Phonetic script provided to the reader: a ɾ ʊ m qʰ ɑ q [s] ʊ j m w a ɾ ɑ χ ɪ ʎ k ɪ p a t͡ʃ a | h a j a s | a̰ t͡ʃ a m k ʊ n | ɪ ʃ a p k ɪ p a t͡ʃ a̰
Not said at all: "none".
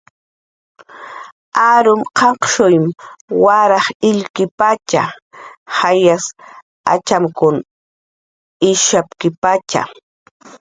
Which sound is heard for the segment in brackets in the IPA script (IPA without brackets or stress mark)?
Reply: ʃ